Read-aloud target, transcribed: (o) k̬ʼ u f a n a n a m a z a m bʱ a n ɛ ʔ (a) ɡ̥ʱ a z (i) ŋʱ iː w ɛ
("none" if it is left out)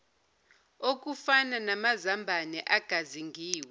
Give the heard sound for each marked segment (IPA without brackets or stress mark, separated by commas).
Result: o, a, i